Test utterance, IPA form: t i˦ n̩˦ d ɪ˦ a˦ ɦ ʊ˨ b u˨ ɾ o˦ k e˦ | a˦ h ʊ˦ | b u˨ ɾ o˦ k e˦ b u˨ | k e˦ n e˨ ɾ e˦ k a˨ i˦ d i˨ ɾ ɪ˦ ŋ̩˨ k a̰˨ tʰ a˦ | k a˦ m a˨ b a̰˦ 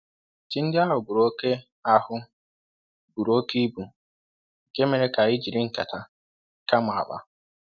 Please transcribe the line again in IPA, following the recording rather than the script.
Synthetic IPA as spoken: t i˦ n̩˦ d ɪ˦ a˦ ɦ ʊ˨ b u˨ ɾ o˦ k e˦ | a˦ h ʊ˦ | b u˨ ɾ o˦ k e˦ b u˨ | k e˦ m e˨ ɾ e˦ k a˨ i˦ d͡ʒ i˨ ɾ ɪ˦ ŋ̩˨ k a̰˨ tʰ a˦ | k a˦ m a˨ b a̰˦